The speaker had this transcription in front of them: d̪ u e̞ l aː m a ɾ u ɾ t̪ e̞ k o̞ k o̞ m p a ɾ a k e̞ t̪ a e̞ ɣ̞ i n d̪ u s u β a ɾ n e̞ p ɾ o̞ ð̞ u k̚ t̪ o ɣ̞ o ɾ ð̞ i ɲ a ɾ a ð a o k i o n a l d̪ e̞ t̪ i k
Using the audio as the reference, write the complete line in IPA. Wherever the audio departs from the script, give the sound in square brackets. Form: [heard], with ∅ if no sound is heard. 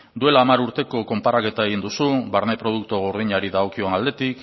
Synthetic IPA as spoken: d̪ u e̞ l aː m a ɾ u ɾ t̪ e̞ k o̞ k o̞ m p a ɾ a k e̞ t̪ a e̞ ɣ̞ i n d̪ u s u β a ɾ n e̞ p ɾ o̞ ð̞ u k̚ t̪ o ɣ̞ o ɾ ð̞ i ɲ a ɾ [i] ð a o k i o n a l d̪ e̞ t̪ i k